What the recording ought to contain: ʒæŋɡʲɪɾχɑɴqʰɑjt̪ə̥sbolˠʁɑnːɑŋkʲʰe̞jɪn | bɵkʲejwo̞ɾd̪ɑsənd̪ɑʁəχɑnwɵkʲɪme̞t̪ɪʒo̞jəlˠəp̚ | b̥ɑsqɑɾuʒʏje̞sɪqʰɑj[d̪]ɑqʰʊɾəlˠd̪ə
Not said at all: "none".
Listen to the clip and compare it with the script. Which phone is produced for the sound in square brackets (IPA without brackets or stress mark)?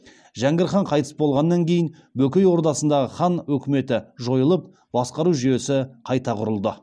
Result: t̪